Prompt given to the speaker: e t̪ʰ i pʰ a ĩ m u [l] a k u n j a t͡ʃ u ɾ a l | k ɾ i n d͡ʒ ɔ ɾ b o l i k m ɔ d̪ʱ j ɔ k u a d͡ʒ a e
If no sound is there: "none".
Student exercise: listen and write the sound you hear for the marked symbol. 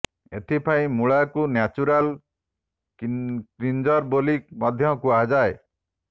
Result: ɭ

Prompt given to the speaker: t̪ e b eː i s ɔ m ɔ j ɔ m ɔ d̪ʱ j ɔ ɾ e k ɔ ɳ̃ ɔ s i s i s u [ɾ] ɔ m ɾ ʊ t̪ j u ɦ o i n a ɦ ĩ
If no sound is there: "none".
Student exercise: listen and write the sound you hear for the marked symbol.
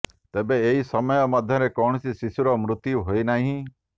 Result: ɾ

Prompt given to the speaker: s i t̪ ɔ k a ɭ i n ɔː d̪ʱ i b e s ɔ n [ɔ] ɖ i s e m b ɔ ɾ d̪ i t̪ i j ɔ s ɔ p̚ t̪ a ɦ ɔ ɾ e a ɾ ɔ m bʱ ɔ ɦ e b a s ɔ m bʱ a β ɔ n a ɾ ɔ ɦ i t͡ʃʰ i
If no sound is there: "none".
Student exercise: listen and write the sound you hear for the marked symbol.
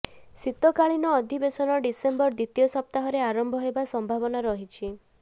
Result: ɔ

